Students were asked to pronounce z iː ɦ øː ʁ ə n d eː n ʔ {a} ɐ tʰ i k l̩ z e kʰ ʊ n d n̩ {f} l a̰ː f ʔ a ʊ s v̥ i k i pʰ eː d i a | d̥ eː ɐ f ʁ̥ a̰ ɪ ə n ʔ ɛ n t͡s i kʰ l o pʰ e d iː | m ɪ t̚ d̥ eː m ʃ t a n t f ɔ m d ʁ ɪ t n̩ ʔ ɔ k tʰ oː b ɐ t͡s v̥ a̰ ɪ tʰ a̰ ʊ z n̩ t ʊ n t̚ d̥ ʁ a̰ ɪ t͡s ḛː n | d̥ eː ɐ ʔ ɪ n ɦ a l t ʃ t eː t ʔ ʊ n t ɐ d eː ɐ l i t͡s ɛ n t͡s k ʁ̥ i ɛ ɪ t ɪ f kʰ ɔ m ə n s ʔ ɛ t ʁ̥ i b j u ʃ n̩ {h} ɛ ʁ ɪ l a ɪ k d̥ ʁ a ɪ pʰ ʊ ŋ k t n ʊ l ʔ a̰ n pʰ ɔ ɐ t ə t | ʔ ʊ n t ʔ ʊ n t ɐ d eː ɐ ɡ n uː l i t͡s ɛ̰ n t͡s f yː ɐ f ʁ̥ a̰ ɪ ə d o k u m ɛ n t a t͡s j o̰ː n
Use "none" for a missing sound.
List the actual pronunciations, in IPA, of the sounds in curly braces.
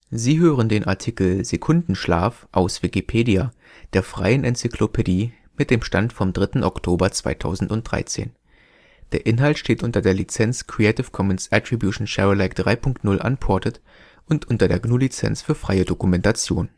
a, ʃ, ʃ

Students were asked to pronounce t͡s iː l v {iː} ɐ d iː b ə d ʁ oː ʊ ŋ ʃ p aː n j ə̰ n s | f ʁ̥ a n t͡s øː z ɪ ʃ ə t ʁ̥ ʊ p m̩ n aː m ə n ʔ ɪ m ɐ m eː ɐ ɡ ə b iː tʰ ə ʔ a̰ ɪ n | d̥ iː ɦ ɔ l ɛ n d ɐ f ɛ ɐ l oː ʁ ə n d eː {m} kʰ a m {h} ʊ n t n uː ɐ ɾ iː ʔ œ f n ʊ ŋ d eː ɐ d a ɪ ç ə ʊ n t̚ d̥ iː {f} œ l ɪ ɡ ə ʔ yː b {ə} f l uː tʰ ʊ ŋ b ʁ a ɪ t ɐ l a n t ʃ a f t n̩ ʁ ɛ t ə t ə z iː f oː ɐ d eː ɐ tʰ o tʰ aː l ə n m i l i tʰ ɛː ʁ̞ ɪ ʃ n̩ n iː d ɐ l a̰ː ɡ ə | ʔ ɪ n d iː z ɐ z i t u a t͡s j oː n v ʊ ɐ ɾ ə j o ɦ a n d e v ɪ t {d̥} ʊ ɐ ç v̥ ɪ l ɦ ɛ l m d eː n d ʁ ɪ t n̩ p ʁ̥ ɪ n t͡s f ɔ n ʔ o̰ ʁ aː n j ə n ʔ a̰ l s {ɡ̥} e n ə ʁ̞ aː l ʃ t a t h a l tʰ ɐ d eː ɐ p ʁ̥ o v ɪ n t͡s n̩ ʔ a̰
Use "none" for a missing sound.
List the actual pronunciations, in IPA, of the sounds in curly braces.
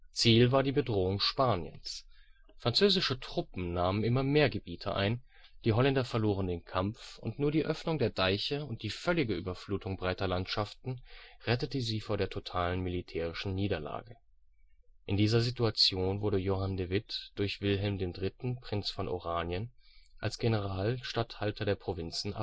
aː, n, f, f, ɐ, d̥, ɡ̥

